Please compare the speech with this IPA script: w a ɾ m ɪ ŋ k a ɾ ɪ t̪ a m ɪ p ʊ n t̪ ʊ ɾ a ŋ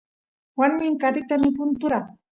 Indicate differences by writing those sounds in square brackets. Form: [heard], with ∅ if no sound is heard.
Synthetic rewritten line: w a ɾ m ɪ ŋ k a ɾ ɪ t̪ a m ɪ p ʊ n t̪ ʊ ɾ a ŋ